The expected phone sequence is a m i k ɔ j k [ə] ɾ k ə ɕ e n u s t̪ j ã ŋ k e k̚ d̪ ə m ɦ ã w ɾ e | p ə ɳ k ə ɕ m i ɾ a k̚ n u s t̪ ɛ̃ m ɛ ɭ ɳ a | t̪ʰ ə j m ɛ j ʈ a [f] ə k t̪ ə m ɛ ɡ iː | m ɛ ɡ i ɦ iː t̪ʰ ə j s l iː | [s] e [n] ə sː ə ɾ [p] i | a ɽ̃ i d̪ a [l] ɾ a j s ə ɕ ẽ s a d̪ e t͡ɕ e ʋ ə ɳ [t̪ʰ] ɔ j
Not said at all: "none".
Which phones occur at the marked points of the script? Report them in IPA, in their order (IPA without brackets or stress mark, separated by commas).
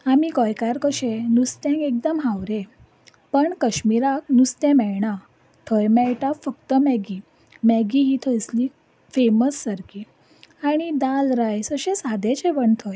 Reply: a, f, f, m, k, l, t̪ʰ